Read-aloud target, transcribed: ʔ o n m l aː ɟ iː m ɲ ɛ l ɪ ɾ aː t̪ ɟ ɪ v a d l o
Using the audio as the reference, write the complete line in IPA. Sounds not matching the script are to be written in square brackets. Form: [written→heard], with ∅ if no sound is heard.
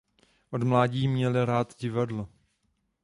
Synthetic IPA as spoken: ʔ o [n→d] m l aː ɟ iː m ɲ ɛ l ɪ ɾ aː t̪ ɟ ɪ v a d l o